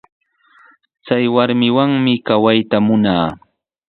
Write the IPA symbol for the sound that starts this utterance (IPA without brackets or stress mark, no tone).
t͡s